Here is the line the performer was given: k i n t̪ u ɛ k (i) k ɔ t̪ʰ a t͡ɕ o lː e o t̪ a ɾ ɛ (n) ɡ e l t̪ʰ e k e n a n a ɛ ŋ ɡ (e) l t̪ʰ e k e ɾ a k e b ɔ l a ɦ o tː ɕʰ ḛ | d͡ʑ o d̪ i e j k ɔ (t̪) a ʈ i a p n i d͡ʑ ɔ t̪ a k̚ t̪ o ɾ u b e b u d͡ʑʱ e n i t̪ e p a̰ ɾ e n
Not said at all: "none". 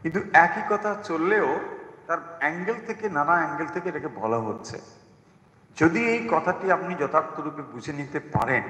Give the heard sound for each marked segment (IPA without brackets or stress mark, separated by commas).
i, ŋ, e, t̪ʰ